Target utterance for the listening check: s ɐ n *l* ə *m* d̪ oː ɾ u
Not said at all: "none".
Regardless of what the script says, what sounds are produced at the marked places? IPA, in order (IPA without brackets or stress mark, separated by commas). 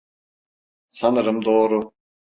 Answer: ɾ, m